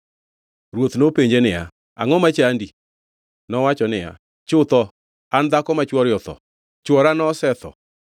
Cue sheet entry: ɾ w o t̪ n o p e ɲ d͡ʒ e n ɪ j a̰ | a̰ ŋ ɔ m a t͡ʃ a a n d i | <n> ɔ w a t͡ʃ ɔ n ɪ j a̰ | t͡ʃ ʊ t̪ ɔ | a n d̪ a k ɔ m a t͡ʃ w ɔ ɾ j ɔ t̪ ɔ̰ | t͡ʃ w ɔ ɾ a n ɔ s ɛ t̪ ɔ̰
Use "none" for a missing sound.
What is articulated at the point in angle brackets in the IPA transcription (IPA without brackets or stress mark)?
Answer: n